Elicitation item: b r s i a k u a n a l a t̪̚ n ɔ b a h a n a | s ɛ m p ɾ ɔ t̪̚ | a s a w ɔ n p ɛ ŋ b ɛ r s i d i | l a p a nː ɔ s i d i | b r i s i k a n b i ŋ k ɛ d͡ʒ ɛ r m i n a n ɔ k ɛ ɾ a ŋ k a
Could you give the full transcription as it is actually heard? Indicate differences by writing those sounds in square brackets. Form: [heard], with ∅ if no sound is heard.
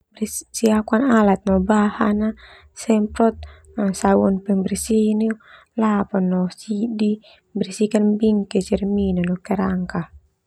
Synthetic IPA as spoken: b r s i a k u a n a l a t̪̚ n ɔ b a h a n a | s ɛ m p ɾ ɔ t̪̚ | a s a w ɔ n p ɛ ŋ b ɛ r s i [n] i | l a p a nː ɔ s i d i | b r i s i k a n b i ŋ k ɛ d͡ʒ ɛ r m i n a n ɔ k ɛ ɾ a ŋ k a